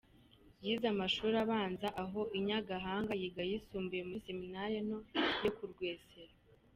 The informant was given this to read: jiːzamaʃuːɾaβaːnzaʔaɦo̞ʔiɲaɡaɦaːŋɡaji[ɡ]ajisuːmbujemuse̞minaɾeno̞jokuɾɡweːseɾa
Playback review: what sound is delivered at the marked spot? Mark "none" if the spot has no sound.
ɡ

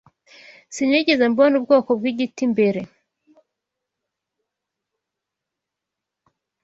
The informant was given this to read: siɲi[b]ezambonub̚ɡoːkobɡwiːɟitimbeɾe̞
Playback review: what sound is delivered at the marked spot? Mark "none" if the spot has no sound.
ɟ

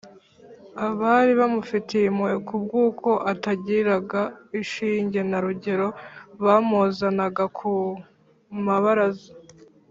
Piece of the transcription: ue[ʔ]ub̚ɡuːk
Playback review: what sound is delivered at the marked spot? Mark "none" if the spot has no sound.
k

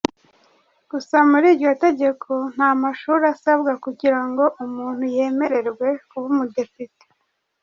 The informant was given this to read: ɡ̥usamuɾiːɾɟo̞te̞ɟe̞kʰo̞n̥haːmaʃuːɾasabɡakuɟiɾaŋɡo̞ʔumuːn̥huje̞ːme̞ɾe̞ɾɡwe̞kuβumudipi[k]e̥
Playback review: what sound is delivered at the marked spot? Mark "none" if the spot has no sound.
t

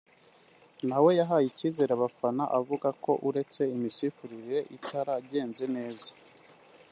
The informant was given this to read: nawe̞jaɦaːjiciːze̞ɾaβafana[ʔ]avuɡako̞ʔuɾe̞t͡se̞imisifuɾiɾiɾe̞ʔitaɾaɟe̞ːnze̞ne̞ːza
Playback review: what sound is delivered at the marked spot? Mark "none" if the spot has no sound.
ʔ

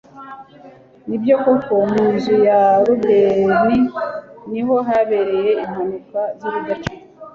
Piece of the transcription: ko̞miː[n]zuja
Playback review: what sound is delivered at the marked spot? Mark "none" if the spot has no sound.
n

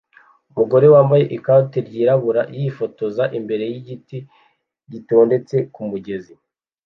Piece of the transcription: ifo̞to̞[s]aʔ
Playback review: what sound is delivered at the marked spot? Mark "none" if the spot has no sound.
z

